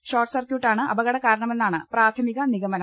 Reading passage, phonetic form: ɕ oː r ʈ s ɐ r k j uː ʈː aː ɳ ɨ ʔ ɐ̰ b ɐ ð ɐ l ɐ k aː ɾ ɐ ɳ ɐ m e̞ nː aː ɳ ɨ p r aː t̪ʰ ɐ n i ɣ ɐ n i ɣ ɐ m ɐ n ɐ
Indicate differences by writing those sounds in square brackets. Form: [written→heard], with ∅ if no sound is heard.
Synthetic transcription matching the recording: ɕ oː r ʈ s ɐ r k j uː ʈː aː ɳ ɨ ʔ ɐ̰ b ɐ [ð→ɣ] ɐ [l→ɽ] ɐ k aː ɾ ɐ ɳ ɐ m e̞ nː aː ɳ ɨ p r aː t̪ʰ ɐ [n→m] i ɣ ɐ n i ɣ ɐ m ɐ n ɐ